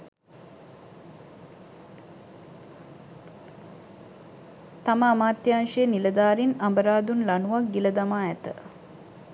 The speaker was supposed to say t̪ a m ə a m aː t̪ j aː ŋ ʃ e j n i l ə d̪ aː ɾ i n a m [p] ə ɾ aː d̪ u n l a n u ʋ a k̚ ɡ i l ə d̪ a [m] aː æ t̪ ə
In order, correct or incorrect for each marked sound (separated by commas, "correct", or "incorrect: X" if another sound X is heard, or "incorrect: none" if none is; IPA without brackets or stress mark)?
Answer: incorrect: b, correct